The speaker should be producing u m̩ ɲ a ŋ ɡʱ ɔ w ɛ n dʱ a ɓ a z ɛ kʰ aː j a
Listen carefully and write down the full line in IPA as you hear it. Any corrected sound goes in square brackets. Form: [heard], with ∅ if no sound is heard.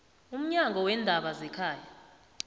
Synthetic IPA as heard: u m̩ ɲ a ŋ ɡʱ ɔ w ɛ n dʱ a ɓ a z ɛ kʰ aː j a